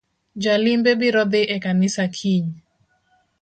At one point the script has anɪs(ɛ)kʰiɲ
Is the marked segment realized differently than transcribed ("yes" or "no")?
yes